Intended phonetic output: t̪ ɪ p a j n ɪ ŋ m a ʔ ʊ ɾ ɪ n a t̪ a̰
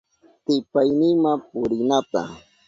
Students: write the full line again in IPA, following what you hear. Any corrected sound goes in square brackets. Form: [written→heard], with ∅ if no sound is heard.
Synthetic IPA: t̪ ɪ p a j n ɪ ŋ m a [ʔ→p] ʊ ɾ ɪ n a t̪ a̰